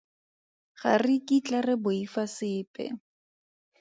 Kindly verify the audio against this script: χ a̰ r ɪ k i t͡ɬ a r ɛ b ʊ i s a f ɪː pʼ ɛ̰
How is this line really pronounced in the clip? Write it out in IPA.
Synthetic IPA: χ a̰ r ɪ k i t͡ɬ a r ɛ b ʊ i f a s ɪː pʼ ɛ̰